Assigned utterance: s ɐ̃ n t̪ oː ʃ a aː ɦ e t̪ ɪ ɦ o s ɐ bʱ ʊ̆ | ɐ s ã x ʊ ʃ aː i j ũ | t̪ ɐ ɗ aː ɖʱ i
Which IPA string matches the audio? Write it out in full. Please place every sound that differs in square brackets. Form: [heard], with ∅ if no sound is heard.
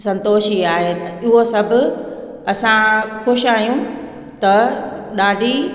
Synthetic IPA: s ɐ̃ n t̪ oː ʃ [i] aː ɦ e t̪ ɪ ɦ o s ɐ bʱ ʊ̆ | ɐ s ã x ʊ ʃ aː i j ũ | t̪ ɐ ɗ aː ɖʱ i